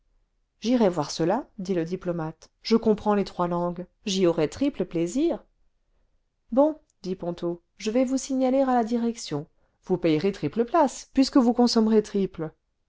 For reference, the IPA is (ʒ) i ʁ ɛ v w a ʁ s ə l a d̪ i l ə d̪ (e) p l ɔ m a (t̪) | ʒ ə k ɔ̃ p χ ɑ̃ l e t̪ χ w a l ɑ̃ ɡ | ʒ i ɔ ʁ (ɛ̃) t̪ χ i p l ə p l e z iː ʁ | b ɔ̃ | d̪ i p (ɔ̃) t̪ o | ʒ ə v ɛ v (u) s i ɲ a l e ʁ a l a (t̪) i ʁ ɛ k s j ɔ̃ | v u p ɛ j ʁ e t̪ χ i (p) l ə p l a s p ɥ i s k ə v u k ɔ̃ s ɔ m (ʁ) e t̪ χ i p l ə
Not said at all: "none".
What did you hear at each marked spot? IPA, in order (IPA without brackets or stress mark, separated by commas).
ʒ, i, t̪, ɛ, ɔ̃, u, d̪, p, ʁ